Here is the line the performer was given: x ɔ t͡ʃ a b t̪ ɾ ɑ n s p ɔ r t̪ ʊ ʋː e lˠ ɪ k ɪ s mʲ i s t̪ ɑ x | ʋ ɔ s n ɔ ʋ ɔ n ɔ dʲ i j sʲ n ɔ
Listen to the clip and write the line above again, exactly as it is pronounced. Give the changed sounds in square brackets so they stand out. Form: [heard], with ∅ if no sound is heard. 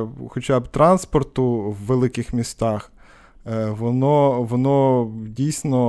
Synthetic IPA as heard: x ɔ t͡ʃ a b t̪ ɾ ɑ n s p ɔ r t̪ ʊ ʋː e lˠ ɪ k ɪ [x] mʲ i s t̪ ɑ x | ʋ ɔ [∅] n ɔ ʋ ɔ n ɔ dʲ i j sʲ n ɔ